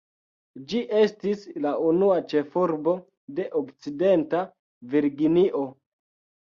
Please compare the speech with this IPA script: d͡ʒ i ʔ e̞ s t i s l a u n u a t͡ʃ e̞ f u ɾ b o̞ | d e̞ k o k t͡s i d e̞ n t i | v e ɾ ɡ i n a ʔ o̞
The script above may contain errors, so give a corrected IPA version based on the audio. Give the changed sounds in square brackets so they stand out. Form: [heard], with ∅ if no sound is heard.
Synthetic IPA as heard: d͡ʒ i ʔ e̞ s t i s l a u n u a t͡ʃ e̞ f u ɾ b o̞ | d e̞ [ʔ] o k t͡s i d e̞ n t [a] | v [i] ɾ ɡ i n [i] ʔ o̞